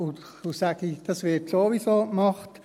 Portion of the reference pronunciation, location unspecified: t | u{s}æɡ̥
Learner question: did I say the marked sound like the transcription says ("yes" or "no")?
yes